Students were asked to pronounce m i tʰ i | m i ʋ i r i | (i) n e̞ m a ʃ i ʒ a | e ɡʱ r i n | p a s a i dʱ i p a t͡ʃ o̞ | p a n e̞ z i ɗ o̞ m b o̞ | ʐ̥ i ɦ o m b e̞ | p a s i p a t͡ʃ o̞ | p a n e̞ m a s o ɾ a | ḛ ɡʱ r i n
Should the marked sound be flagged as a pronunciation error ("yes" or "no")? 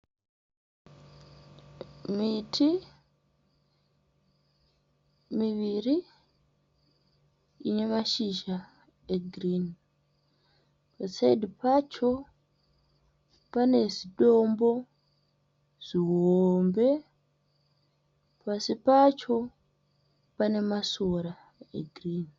no